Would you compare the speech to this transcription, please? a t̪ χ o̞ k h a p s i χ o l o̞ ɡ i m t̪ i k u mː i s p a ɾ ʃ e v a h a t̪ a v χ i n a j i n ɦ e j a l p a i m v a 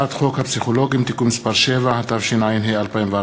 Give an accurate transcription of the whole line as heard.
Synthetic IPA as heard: a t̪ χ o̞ k h a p s i χ o l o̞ ɡ i m t̪ i k u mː i s p a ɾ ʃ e v a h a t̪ a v ʃ i n a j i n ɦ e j a l p a i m v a